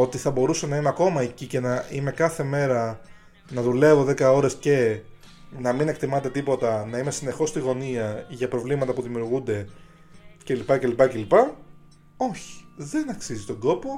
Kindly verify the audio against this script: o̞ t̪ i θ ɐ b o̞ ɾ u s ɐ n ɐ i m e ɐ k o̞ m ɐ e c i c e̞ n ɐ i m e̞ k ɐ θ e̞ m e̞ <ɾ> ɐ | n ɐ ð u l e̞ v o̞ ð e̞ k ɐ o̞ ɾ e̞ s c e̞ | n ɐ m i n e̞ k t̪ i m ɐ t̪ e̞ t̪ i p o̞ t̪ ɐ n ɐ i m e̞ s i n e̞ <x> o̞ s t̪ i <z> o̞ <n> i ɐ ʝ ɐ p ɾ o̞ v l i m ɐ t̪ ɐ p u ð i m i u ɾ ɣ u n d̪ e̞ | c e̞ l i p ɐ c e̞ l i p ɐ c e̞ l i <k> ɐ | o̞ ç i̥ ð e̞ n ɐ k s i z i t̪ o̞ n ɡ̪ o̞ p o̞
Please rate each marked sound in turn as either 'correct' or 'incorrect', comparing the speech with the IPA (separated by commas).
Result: correct, correct, incorrect, correct, incorrect